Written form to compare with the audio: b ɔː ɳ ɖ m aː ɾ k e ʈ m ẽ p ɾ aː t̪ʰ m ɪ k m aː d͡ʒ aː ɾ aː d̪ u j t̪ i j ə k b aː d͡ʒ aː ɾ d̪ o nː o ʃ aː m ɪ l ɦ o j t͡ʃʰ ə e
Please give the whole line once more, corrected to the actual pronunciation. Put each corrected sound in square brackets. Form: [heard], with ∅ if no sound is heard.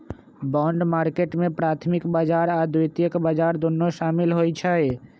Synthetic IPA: b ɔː ɳ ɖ m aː ɾ k e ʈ m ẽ p ɾ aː t̪ʰ m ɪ k [b] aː d͡ʒ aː ɾ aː d̪ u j t̪ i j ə k b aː d͡ʒ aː ɾ d̪ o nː o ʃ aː m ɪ l ɦ o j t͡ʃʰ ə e